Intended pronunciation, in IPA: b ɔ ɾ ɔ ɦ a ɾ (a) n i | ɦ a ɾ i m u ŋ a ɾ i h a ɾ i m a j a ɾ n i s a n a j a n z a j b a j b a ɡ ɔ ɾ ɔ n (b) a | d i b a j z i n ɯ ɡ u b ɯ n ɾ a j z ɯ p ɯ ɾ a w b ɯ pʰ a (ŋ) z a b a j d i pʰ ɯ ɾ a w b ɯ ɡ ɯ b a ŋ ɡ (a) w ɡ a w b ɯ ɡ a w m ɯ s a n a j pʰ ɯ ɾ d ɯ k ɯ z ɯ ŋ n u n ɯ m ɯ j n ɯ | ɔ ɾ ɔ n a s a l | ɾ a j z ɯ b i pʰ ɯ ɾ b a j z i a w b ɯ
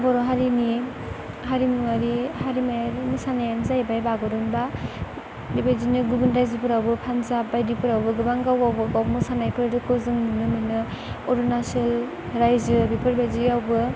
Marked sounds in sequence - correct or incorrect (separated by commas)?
incorrect, correct, incorrect, correct